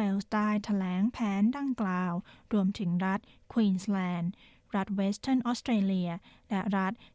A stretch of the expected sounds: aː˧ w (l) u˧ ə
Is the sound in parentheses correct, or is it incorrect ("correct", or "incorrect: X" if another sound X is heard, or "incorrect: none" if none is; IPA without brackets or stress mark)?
incorrect: ɾ